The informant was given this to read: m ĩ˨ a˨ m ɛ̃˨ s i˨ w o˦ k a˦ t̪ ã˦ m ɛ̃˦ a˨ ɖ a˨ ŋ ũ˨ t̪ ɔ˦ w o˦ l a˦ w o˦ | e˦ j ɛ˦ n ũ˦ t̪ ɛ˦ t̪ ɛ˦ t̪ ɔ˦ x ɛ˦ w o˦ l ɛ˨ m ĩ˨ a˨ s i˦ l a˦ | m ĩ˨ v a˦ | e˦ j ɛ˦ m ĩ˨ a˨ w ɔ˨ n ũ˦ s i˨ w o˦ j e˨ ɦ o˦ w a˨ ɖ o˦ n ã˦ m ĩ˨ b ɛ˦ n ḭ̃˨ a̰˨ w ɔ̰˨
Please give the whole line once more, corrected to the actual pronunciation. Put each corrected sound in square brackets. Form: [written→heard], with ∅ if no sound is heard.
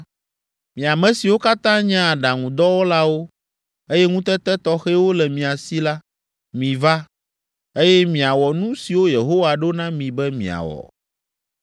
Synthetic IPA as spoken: m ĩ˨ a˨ m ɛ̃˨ s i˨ w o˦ k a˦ t̪ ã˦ [m→ɲ] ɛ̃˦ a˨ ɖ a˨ ŋ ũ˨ [t̪→d̪] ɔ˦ w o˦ l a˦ w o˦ | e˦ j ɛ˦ [n→ŋ] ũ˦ t̪ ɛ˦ t̪ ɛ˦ t̪ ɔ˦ x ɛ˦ w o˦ l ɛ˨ m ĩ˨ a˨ s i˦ l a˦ | m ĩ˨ v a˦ | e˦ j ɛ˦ m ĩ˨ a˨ w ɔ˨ n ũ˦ s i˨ w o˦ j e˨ ɦ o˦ w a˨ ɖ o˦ n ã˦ m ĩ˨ b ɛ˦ [n→m] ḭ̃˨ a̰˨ w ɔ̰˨